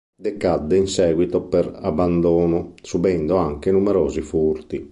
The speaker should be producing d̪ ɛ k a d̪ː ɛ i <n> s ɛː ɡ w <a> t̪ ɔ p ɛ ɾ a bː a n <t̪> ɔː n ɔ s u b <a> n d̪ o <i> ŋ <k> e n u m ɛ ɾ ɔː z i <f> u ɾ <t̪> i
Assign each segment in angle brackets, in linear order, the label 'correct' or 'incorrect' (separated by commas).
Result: correct, incorrect, incorrect, incorrect, incorrect, correct, correct, correct